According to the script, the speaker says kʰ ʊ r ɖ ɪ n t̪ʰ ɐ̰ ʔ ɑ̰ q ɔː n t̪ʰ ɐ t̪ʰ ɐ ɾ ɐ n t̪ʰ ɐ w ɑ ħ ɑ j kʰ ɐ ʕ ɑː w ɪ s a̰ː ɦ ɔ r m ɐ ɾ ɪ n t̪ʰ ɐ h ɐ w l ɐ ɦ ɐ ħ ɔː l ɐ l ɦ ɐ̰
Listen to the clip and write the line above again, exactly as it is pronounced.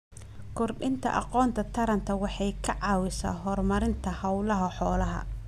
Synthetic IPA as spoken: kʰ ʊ r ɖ ɪ n t̪ʰ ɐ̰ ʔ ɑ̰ q ɔː n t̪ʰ ɐ t̪ʰ ɐ ɾ ɐ n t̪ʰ ɐ w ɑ ħ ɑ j kʰ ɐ ʕ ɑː w ɪ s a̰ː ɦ ɔ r m ɐ ɾ ɪ n t̪ʰ ɐ h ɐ w l ɐ ɦ ɐ ħ ɔː l ɐ ɦ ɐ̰